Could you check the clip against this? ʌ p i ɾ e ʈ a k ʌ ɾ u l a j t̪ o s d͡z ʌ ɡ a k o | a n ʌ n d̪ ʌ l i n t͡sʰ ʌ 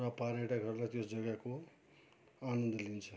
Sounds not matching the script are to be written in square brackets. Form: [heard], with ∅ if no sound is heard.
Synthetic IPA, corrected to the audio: ʌ p [a] ɾ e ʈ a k ʌ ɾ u l a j t̪ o s d͡z ʌ ɡ a k o | a n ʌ n d̪ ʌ l i n t͡sʰ ʌ